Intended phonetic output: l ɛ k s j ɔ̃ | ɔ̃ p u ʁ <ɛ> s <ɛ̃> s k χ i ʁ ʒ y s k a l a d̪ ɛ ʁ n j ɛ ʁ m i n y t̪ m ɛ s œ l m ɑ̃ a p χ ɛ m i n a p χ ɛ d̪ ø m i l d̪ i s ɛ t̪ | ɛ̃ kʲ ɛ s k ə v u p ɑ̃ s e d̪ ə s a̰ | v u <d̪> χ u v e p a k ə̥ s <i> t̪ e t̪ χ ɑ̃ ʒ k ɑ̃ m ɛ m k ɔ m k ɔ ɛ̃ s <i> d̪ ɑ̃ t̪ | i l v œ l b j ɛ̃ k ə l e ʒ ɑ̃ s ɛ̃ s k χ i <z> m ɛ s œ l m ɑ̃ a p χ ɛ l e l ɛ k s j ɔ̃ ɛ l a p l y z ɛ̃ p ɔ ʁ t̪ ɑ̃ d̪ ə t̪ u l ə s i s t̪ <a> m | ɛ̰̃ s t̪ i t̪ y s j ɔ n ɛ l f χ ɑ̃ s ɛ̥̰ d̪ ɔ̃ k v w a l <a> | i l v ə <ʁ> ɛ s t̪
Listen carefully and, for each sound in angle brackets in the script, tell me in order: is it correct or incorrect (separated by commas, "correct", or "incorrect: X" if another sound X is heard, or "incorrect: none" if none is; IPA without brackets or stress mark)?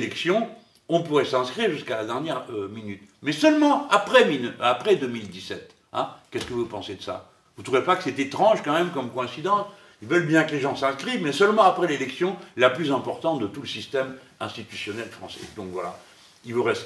correct, correct, incorrect: t̪, incorrect: ɛ, correct, incorrect: v, incorrect: ɛ, correct, correct